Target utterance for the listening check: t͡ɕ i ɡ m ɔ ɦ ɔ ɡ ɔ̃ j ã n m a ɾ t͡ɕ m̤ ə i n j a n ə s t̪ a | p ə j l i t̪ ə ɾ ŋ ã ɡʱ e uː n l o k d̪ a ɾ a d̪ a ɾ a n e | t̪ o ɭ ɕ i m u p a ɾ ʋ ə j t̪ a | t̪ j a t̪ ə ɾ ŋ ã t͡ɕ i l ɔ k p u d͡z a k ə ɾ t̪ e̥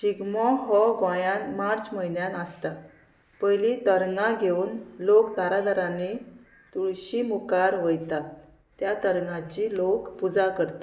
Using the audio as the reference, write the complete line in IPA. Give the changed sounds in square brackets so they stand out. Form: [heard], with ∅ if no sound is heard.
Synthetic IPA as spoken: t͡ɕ i ɡ m ɔ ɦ ɔ ɡ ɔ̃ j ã n m a ɾ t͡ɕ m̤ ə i n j a n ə s t̪ a | p ə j l i t̪ ə ɾ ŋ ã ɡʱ e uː n l o k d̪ a ɾ a d̪ a ɾ a n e | t̪ [u] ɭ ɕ i m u [k] a ɾ ʋ ə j t̪ a | t̪ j a t̪ ə ɾ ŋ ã t͡ɕ i l [o] k p u d͡z a k ə ɾ t̪ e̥